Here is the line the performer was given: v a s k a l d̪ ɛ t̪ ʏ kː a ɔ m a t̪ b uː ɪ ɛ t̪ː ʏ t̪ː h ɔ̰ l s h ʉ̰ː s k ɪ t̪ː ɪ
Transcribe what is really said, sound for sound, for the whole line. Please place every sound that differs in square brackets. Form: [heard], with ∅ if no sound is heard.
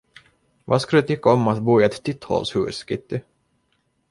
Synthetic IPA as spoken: v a s k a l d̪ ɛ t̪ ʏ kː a ɔ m a t̪ b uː ɪ ɛ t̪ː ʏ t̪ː h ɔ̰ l s h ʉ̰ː s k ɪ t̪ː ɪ